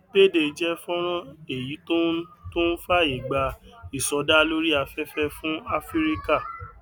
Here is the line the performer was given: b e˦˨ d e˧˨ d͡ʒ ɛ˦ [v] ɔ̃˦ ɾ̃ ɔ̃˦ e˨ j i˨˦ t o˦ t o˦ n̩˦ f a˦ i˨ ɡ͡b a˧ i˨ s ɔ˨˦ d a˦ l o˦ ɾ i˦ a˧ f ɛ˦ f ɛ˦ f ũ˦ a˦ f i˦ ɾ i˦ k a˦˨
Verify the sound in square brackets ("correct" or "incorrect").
incorrect